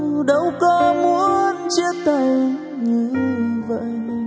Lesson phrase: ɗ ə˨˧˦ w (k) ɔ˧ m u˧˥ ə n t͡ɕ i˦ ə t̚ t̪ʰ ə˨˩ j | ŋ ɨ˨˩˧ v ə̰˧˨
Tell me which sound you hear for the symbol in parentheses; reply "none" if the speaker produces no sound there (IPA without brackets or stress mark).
k